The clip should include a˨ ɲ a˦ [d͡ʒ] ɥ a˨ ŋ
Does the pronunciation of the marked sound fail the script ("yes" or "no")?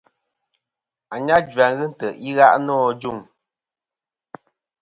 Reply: no